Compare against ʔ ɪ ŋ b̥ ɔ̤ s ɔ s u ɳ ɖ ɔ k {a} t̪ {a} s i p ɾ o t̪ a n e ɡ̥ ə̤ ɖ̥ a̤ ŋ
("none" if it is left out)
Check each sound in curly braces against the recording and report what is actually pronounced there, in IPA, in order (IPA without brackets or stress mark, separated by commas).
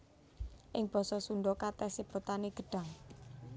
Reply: a, ɛ